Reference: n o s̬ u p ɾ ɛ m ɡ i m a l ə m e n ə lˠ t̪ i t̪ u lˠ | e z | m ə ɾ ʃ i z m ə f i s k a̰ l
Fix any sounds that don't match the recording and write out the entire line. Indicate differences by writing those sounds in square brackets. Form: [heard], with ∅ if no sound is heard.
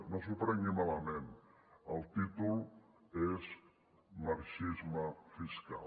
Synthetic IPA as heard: n o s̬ u p ɾ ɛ [ŋ] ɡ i m a l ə m e n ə lˠ t̪ i t̪ u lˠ | e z | m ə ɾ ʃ i z m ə f i s k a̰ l